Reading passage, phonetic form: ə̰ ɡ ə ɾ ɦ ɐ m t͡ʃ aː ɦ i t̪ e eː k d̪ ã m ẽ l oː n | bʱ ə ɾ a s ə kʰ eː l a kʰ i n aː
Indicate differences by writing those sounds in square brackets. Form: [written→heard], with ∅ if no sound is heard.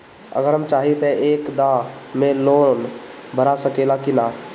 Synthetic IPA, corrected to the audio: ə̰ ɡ ə ɾ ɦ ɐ m t͡ʃ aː ɦ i t̪ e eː k d̪ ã m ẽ l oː n | bʱ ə ɾ a s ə [kʰ→k] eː l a [kʰ→k] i n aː